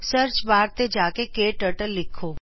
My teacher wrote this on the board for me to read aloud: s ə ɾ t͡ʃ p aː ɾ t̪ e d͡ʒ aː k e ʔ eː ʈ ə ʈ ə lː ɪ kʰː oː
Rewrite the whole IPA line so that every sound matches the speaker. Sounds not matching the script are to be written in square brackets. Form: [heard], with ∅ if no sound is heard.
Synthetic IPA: s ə ɾ t͡ʃ [b] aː ɾ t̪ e d͡ʒ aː k e [k] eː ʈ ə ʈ ə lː ɪ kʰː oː